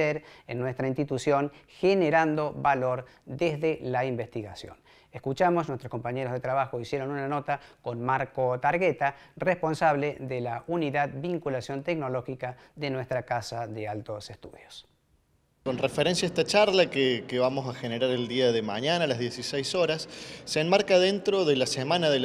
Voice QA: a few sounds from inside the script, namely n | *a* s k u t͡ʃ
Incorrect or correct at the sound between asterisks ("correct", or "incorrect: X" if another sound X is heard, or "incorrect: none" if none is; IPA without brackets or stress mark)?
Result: incorrect: e